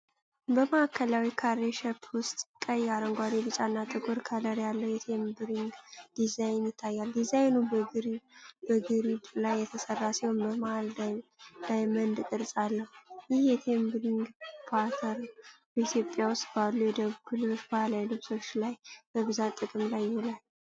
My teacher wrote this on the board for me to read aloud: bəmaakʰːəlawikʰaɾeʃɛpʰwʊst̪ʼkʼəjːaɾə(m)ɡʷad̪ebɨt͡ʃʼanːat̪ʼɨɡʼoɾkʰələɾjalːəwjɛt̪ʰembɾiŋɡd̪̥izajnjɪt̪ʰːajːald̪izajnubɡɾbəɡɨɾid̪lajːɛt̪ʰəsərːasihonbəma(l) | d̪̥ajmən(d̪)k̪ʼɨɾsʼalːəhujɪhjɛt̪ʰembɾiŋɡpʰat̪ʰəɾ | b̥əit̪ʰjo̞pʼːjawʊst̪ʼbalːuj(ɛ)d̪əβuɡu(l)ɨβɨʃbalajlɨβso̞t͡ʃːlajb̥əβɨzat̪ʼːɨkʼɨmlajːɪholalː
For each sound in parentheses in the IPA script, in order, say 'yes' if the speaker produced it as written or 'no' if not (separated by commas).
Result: no, yes, yes, yes, yes